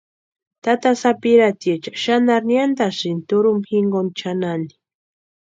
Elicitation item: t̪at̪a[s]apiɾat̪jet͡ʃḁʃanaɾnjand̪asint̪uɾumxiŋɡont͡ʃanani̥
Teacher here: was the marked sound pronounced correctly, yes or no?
yes